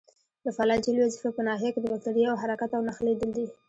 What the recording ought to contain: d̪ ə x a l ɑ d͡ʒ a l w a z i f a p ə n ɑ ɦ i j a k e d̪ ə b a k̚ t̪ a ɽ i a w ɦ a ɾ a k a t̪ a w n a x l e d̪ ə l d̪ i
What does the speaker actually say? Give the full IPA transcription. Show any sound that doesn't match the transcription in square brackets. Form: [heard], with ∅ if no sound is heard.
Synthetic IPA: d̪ ə [f] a l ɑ d͡ʒ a l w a z i f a p ə n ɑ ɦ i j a k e d̪ ə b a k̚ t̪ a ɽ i a w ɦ a ɾ a k a t̪ a w n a x l e d̪ ə l d̪ i